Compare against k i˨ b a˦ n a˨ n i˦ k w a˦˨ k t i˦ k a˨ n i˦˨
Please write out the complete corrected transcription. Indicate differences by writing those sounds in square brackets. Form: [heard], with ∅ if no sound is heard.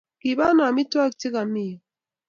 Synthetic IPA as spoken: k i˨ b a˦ n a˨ [m] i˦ [t] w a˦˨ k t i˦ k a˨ [m] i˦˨